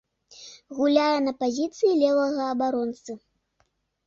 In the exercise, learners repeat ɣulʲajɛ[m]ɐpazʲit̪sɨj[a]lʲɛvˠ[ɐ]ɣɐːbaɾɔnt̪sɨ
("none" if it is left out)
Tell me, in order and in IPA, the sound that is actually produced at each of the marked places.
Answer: n, i, ɐ

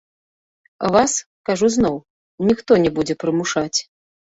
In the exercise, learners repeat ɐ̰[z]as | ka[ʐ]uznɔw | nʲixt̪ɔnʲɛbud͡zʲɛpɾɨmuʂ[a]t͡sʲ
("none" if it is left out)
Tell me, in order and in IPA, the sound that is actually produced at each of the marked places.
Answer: v, ʐ, a

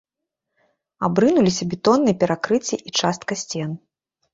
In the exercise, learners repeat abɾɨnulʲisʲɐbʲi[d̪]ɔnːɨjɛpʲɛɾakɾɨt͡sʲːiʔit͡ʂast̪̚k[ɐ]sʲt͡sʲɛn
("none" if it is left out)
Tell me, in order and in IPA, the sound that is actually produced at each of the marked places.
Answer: t̪, ɐ

